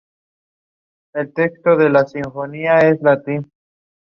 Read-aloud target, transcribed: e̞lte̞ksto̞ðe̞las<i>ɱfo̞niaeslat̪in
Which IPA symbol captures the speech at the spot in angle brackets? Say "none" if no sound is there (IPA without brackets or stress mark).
i